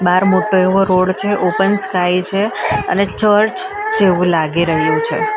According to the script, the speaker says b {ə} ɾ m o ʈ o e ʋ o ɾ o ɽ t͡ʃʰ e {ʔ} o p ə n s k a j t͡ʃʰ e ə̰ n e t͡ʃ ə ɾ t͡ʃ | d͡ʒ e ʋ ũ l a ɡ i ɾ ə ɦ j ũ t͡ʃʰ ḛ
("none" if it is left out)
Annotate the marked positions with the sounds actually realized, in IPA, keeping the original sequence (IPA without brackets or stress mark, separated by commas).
a, ʔ